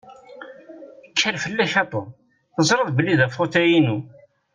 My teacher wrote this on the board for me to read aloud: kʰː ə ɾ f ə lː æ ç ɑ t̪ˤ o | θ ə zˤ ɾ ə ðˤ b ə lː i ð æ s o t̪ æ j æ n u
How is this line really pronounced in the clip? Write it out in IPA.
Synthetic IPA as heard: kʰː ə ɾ f ə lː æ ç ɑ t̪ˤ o | θ ə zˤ ɾ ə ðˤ b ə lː i ð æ f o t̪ æ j i n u